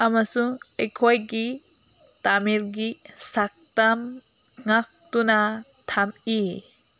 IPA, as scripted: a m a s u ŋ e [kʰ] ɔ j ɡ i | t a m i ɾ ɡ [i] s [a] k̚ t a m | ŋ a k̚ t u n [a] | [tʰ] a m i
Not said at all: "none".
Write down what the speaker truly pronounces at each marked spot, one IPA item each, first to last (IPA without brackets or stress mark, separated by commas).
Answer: kʰ, i, a, a, tʰ